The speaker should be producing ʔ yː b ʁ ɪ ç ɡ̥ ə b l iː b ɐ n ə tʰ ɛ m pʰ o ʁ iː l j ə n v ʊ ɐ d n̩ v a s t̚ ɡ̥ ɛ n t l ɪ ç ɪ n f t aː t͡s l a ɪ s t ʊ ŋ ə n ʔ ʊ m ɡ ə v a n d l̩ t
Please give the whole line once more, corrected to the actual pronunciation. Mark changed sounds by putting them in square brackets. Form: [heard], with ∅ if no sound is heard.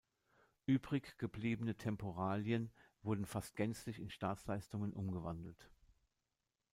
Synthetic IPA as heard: ʔ yː b ʁ ɪ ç ɡ̥ ə b l iː b [ə] n ə tʰ ɛ m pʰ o ʁ [aː] l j ə n v ʊ ɐ d n̩ [f] a s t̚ ɡ̥ ɛ n [t͡s] l ɪ ç ɪ n [ʃ] t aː t͡s l a ɪ s t ʊ ŋ ə n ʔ ʊ m ɡ ə v a n d l̩ t